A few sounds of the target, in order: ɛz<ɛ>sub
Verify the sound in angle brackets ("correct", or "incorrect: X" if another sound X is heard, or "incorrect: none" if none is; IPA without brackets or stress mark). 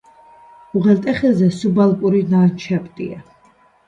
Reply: correct